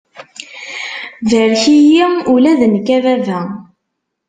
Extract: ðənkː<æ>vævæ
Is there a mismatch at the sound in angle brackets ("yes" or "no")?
no